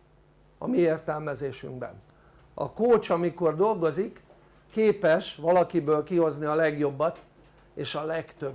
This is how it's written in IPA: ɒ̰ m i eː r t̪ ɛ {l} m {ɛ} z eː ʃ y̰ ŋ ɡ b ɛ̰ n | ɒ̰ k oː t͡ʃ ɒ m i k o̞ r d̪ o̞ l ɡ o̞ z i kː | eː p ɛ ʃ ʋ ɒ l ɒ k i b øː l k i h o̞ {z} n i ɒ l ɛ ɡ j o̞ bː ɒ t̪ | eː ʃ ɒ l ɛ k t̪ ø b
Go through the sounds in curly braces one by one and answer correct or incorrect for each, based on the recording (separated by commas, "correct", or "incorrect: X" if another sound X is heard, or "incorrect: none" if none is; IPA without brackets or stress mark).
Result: correct, correct, correct